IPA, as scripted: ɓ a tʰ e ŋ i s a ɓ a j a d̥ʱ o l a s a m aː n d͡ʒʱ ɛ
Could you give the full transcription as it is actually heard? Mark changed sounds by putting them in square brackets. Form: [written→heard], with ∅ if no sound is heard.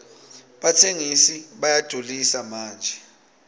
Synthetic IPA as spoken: ɓ a tʰ e ŋ i s [a→i] ɓ a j a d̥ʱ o l [a→i] s a m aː n d͡ʒʱ ɛ

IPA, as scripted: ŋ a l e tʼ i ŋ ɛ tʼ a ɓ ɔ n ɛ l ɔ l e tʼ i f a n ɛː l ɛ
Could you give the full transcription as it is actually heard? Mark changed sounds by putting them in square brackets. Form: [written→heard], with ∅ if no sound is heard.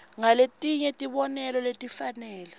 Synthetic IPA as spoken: ŋ a l e tʼ i [ŋ→ɲ] ɛ tʼ [a→i] ɓ ɔ n ɛ l ɔ l e tʼ i f a n ɛː l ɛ

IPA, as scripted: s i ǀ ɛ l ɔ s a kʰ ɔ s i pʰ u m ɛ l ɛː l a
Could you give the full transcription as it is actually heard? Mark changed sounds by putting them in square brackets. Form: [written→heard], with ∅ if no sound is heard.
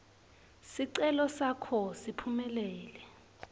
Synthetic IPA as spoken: s i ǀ ɛ l ɔ s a kʰ ɔ s i pʰ u m ɛ l ɛː l [a→ɛ]

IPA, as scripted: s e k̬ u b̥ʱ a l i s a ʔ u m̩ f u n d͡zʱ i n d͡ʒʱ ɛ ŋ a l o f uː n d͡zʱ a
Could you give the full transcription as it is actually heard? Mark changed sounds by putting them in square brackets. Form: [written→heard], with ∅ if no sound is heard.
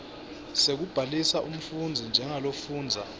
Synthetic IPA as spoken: s e k̬ u b̥ʱ a l i s a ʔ u m̩ f u n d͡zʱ i n d͡ʒʱ ɛ ŋ a l o f uː n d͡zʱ a

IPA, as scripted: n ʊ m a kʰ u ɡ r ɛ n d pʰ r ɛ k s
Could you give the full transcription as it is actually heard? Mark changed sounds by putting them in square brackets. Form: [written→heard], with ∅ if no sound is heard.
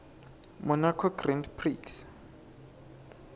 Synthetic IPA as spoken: [n→m] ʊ [m→n] a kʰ [u→ɔ] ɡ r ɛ n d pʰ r [ɛ→i] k s

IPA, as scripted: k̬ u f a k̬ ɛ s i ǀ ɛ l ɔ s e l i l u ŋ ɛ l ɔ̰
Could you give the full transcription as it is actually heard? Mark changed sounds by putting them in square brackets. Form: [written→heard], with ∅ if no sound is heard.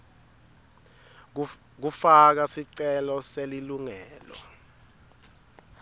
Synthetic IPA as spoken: k̬ u f a k̬ [ɛ→a] s i ǀ ɛ l ɔ s e l i l u ŋ [ɛ→ɛː] l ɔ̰

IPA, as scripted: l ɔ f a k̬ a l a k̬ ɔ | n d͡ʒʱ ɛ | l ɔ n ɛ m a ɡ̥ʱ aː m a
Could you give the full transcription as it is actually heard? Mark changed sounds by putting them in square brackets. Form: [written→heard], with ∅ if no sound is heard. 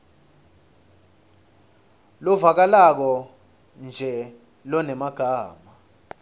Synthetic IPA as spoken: l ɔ [f→v] a k̬ a l a k̬ ɔ | n d͡ʒʱ ɛ | l ɔ n ɛ m a ɡ̥ʱ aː m a

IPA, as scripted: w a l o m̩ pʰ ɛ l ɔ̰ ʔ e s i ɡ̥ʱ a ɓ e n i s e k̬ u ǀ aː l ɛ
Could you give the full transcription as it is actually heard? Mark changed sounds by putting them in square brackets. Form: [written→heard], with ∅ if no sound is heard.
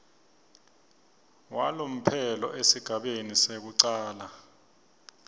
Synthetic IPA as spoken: w a l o m̩ pʰ ɛ l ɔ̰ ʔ e s i ɡ̥ʱ a ɓ e n i s e k̬ u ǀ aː l [ɛ→a]

